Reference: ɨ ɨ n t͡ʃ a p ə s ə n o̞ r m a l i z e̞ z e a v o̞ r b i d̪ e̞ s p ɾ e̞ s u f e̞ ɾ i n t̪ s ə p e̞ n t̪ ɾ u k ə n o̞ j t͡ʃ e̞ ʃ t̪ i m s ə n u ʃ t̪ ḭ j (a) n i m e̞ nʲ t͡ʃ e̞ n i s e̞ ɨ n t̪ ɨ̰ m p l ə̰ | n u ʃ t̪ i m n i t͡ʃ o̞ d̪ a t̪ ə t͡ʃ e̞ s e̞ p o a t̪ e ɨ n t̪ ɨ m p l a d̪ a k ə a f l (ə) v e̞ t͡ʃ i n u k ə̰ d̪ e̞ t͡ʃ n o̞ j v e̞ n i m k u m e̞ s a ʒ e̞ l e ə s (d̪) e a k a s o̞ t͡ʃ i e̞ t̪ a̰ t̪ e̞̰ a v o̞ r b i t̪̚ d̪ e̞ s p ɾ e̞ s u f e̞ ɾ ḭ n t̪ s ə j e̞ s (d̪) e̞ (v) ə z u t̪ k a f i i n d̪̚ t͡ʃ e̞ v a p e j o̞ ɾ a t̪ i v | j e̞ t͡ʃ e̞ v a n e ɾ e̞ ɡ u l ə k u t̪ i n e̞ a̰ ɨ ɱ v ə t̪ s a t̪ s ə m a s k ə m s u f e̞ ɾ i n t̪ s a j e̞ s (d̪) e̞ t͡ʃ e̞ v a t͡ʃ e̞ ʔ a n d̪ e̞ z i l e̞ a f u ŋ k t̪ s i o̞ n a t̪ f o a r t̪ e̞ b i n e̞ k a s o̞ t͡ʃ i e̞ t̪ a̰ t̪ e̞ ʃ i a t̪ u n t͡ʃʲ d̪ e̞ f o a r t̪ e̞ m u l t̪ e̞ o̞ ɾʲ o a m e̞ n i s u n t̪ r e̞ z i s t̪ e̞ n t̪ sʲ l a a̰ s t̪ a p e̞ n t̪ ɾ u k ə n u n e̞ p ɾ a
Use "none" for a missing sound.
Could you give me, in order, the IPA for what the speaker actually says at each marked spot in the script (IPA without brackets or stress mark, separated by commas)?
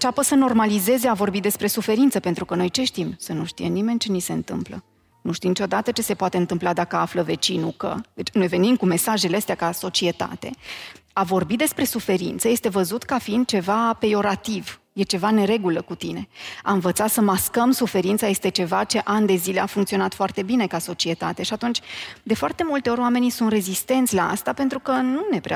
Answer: e, ə, t̪, t̪, v, t̪